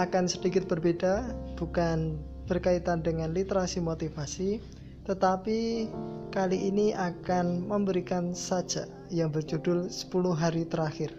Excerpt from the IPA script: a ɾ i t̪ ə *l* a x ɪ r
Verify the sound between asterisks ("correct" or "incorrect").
incorrect